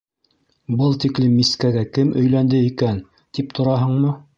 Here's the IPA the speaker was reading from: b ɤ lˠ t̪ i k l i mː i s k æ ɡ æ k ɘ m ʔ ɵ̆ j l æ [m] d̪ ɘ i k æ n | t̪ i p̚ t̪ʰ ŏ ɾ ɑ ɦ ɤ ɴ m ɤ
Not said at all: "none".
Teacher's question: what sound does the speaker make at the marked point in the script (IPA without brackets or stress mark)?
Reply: n